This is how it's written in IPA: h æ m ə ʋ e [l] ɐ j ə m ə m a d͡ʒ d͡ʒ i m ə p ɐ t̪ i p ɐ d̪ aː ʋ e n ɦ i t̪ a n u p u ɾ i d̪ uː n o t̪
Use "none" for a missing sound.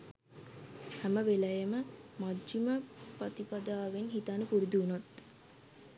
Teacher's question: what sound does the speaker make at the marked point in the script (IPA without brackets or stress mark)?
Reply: l